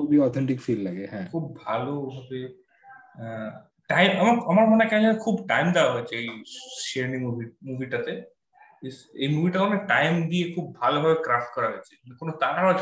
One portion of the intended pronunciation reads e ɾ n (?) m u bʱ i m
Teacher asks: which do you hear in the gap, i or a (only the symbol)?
i